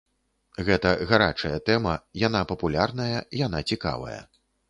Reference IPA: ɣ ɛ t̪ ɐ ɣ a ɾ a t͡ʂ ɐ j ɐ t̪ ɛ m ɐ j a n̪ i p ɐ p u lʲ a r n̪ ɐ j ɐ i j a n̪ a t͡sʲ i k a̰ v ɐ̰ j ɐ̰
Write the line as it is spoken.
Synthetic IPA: ɣ ɛ t̪ ɐ ɣ a ɾ a t͡ʂ ɐ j ɐ t̪ ɛ m ɐ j a n̪ a p ɐ p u lʲ a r n̪ ɐ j ɐ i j a n̪ a t͡sʲ i k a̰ v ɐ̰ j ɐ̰